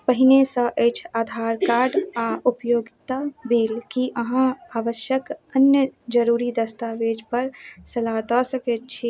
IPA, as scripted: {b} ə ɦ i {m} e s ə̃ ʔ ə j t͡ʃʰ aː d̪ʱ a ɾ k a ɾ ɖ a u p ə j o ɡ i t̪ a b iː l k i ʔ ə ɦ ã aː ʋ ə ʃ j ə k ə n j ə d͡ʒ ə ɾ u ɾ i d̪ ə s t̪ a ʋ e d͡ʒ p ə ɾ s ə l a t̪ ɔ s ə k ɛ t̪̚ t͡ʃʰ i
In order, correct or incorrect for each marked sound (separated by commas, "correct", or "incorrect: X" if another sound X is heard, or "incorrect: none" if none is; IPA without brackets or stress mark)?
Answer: incorrect: p, incorrect: n